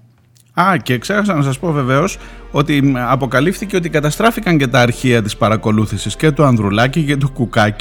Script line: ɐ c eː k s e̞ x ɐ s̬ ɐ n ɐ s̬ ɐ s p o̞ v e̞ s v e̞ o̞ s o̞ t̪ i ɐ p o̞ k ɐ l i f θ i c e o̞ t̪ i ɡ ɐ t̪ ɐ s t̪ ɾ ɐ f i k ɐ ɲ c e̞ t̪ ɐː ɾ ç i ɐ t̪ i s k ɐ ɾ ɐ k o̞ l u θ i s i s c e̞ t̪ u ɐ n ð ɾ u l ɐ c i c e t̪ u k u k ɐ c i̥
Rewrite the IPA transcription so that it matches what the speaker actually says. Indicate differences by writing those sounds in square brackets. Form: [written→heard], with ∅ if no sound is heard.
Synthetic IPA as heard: ɐ c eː k s e̞ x ɐ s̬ ɐ n ɐ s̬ ɐ s p o̞ v e̞ [s→∅] v e̞ o̞ s o̞ t̪ i ɐ p o̞ k ɐ l i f θ i c e o̞ t̪ i [ɡ→k] ɐ t̪ ɐ s t̪ ɾ ɐ f i k ɐ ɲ c e̞ t̪ ɐː ɾ ç i ɐ t̪ i s [k→p] ɐ ɾ ɐ k o̞ l u θ i s i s c e̞ t̪ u ɐ n ð ɾ u l ɐ c i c e t̪ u k u k ɐ c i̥